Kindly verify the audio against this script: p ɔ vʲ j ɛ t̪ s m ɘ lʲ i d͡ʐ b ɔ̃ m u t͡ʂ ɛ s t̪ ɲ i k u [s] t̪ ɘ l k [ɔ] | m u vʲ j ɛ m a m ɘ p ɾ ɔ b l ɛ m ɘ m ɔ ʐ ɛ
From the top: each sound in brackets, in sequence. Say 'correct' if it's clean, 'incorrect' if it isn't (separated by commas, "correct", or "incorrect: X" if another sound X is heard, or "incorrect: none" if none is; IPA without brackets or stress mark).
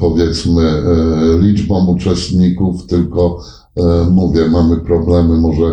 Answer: incorrect: f, correct